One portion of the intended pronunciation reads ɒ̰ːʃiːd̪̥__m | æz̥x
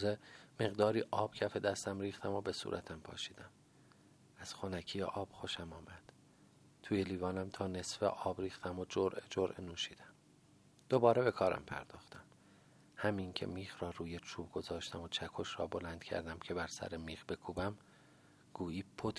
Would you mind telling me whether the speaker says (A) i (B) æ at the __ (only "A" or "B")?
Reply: B